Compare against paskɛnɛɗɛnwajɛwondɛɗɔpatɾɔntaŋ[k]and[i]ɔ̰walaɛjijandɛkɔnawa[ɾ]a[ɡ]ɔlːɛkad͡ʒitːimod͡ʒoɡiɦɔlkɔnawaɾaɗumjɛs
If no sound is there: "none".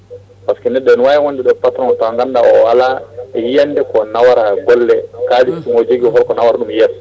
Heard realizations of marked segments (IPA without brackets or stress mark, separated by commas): ɡ, a, ɾ, ɡ